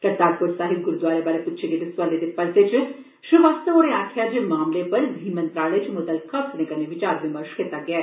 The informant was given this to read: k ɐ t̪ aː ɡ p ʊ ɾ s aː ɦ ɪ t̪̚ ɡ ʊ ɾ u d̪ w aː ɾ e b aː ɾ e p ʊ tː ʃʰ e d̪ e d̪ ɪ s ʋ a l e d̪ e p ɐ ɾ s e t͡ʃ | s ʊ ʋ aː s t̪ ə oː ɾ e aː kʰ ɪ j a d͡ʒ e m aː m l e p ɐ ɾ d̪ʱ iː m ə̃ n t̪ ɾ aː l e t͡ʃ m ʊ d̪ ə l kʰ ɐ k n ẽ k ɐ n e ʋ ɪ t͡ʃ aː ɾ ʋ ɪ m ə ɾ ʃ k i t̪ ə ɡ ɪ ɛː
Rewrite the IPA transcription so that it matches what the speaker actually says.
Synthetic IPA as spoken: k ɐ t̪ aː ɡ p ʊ ɾ s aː ɦ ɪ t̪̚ ɡ ʊ ɾ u d̪ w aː ɾ e b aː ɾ e p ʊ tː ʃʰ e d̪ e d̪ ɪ s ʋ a l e d̪ e p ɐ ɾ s e t͡ʃ | ʃ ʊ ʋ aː s t̪ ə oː ɾ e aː kʰ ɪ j a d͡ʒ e m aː m l e p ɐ ɾ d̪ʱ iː m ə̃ n t̪ ɾ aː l e t͡ʃ m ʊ d̪ ə l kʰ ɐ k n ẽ k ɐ n e ʋ ɪ t͡ʃ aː ɾ ʋ ɪ m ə ɾ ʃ k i t̪ a ɡ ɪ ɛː

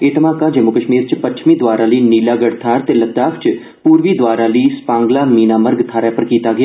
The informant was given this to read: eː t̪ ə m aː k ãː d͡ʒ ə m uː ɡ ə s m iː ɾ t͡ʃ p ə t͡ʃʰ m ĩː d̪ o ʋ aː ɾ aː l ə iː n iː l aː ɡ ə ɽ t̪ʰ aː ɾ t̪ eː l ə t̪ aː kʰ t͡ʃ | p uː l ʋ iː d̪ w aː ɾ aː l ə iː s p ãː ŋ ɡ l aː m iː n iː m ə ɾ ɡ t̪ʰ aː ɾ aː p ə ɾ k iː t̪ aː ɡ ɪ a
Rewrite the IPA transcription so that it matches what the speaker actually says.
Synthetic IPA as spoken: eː t̪ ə m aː k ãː d͡ʒ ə m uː k ə ʃ m iː ɾ t͡ʃ p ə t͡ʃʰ m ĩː d̪ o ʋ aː ɾ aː l ə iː n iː l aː ɡ ə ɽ t̪ʰ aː ɾ t̪ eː l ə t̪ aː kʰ t͡ʃ | p uː ɾ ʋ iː d̪ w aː ɾ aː l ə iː s p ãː ŋ ɡ l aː m iː n aː m ə ɾ ɡ t̪ʰ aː ɾ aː p ə ɾ k iː t̪ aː ɡ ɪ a

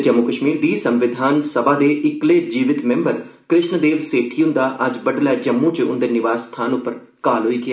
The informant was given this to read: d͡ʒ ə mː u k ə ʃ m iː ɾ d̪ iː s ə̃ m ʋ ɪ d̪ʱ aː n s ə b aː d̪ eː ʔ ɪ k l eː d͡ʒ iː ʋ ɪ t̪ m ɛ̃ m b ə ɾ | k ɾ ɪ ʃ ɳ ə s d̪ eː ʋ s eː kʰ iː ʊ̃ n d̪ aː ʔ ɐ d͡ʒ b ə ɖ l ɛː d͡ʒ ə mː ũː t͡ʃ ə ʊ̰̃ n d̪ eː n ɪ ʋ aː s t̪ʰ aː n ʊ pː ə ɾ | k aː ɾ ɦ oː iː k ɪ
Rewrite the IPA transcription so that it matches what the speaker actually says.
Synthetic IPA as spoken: d͡ʒ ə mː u k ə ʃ m iː ɾ d̪ iː s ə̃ m ʋ ɪ d̪ʱ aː n s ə b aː d̪ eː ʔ ɪ k l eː d͡ʒ iː ʋ ɪ t̪ m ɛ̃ m b ə ɾ | k ɾ ɪ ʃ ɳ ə d̪ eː ʋ s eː ʈʰ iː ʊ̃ n d̪ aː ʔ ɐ d͡ʒ b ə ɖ l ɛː d͡ʒ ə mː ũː t͡ʃ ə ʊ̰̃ n d̪ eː n ɪ ʋ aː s t̪ʰ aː n ʊ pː ə ɾ | k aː l ɦ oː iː k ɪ

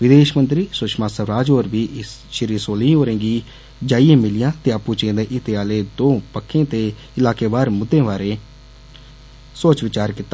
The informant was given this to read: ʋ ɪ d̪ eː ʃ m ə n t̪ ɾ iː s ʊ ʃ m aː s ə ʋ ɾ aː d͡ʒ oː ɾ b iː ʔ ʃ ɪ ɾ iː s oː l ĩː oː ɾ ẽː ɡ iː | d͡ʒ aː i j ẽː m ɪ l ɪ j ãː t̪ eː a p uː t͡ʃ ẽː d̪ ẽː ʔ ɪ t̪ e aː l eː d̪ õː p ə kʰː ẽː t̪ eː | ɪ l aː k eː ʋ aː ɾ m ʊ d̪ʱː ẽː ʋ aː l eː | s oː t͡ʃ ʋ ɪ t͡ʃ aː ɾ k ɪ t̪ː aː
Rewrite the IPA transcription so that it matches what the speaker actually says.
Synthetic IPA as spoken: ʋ ɪ d̪ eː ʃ m ə n t̪ ɾ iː s ʊ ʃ m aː s ə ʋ ɾ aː d͡ʒ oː ɾ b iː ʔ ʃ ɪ ɾ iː s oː l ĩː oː ɾ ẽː ɡ iː | d͡ʒ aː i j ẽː m ɪ l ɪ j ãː t̪ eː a p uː t͡ʃ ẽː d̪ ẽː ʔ ɪ t̪ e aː l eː d̪ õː p ə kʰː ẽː t̪ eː | ɪ l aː k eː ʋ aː ɾ m ʊ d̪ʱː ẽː ʋ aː ɾ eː | s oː t͡ʃ ʋ ɪ t͡ʃ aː ɾ k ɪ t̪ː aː

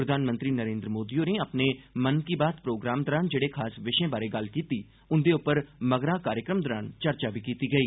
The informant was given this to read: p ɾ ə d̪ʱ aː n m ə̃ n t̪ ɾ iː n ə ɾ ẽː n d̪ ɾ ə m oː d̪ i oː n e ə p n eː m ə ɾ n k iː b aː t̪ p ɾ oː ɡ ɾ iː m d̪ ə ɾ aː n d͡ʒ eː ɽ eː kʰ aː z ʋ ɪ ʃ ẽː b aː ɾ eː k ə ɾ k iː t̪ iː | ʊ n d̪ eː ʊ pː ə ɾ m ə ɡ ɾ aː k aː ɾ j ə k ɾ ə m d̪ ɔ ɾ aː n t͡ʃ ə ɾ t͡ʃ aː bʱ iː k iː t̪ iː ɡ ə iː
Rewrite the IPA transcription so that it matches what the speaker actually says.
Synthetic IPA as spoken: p ɾ ə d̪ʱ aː n m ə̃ n t̪ ɾ iː n ə ɾ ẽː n d̪ ɾ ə m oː d̪ i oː n e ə p n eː m ə n k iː b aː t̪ p ɾ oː ɡ ɾ aː m d̪ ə ɾ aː n d͡ʒ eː ɽ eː kʰ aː s ʋ ɪ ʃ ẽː b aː ɾ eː ɡ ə l k iː t̪ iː | ʊ n d̪ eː ʊ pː ə ɾ m ə ɡ ɾ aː k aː ɾ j ə k ɾ ə m d̪ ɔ ɾ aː n t͡ʃ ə ɾ t͡ʃ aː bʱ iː k iː t̪ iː ɡ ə iː

